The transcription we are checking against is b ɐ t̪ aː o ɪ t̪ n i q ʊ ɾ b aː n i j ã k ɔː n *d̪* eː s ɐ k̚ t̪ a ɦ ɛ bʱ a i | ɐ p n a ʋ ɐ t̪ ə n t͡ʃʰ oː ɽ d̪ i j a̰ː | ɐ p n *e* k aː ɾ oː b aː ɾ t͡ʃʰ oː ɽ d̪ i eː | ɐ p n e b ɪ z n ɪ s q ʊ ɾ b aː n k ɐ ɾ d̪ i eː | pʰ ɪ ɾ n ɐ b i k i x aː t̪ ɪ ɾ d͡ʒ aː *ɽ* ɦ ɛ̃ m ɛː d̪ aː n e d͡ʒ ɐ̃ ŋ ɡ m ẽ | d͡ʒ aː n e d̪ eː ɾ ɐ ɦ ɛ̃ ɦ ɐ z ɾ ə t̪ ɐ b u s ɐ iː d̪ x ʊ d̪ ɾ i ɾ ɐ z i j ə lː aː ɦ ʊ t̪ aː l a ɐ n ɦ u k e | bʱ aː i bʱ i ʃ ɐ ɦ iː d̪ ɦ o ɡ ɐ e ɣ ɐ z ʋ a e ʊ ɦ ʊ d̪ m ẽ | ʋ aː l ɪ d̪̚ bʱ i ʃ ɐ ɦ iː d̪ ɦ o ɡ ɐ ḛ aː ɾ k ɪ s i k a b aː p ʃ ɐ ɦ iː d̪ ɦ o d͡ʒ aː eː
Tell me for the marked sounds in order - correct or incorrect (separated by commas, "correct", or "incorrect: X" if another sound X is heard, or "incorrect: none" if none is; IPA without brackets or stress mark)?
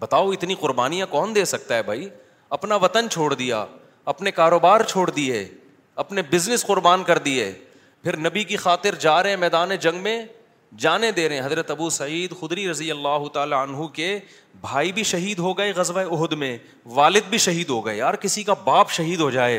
correct, correct, incorrect: ɾ